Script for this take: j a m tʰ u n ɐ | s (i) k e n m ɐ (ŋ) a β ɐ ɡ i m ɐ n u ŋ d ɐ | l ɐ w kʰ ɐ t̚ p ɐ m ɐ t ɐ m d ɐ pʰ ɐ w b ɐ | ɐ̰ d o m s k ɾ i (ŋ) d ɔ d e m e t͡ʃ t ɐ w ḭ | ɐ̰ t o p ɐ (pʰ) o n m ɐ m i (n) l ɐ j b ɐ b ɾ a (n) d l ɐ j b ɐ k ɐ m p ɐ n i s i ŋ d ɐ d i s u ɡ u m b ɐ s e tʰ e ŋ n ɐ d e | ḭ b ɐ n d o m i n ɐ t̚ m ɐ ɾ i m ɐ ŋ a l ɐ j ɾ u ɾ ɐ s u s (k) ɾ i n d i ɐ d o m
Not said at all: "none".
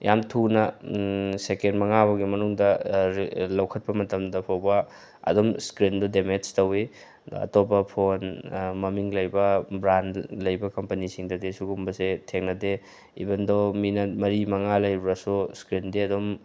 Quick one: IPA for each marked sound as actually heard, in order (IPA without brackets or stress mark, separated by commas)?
e, ŋ, n, pʰ, ŋ, n, k